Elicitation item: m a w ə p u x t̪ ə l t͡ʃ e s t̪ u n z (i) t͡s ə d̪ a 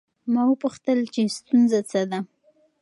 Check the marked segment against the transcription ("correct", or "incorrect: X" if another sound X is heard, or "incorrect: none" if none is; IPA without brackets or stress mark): incorrect: a